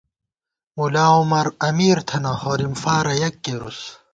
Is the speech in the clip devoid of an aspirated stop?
no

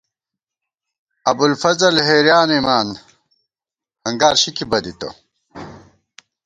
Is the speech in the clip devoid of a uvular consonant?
yes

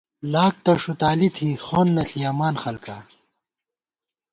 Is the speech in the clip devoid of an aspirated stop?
no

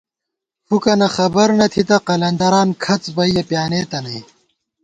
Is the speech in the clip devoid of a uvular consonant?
no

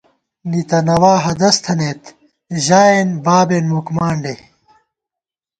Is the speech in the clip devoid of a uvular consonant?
yes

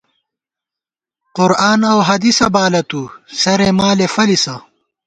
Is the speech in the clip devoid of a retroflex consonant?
yes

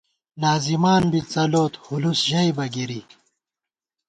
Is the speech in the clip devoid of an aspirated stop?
yes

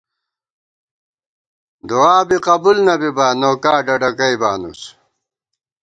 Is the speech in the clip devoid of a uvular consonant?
no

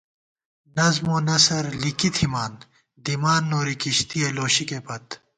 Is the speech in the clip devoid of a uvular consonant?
yes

